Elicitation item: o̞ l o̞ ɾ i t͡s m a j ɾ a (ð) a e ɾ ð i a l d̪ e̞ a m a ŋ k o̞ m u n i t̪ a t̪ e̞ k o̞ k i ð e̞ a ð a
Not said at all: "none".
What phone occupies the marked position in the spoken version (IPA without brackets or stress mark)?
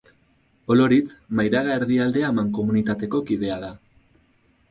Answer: ɣ